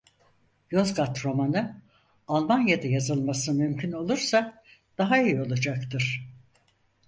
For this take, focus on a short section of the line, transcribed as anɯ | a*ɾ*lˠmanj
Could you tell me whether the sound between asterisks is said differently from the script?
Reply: yes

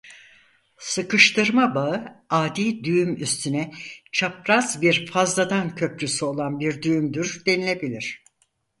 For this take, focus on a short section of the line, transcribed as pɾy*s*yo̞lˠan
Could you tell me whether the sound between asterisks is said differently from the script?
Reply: no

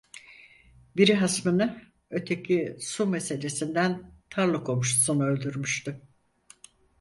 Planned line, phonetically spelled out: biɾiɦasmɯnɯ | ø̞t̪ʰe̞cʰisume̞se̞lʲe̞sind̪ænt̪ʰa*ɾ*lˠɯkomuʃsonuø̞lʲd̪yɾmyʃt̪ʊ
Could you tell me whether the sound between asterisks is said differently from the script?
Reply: no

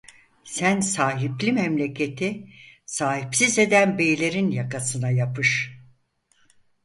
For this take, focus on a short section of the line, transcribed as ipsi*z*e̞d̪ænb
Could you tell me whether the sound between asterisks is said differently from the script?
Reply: no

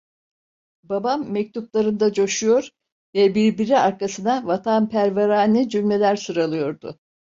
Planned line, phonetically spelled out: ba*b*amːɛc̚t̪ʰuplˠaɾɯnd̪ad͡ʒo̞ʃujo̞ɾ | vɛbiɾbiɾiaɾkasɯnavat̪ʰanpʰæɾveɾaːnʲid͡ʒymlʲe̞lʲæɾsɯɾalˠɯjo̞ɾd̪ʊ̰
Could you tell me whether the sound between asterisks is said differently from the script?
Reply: no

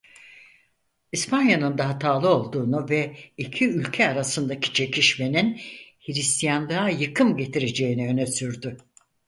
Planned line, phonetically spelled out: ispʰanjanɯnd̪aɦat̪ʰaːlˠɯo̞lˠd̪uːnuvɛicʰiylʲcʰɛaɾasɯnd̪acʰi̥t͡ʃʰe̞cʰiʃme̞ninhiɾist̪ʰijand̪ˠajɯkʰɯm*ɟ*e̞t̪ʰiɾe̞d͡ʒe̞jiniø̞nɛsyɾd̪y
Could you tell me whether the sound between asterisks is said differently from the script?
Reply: no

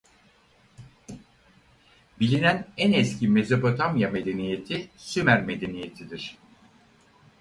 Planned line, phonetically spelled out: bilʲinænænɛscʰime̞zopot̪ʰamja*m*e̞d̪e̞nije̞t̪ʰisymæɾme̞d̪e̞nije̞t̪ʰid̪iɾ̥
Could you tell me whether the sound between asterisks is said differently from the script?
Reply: no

